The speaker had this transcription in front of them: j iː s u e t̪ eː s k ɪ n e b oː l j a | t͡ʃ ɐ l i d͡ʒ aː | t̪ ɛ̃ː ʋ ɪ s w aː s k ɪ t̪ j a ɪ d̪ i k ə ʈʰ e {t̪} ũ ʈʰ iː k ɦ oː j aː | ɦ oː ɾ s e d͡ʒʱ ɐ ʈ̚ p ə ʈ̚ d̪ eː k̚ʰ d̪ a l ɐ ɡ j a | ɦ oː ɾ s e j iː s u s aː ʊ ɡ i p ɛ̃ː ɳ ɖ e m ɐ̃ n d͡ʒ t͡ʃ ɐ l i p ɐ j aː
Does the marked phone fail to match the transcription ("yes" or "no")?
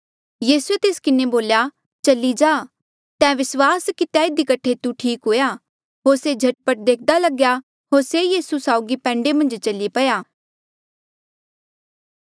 no